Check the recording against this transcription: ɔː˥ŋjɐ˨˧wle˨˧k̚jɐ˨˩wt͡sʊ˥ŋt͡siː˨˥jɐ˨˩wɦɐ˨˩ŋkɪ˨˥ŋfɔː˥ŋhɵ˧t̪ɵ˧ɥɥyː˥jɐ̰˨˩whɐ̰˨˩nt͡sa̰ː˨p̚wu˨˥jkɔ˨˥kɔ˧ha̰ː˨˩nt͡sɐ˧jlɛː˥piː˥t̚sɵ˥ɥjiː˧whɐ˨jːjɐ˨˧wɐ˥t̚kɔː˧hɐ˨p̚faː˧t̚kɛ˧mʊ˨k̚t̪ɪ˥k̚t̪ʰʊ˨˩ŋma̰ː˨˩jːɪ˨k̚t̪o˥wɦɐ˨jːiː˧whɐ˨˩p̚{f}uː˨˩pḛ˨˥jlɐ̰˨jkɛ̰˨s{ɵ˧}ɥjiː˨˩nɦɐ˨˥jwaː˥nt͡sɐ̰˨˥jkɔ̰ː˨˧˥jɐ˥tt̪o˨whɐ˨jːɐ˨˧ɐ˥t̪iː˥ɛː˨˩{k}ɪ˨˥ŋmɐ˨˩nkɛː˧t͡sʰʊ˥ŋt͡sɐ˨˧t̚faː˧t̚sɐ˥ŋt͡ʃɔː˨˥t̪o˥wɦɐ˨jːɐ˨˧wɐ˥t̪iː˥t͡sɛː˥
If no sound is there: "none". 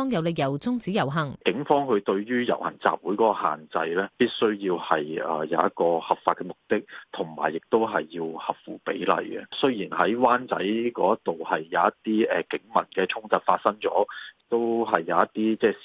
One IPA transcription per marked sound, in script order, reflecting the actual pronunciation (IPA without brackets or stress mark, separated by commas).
f, ɵ˥, k